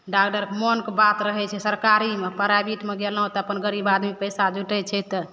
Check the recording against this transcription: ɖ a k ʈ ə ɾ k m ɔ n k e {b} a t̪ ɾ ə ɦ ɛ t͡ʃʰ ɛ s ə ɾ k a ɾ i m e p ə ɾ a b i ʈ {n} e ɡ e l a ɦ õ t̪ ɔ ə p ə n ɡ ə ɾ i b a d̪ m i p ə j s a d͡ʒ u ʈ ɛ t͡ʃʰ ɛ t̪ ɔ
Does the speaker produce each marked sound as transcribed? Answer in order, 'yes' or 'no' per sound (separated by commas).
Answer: yes, no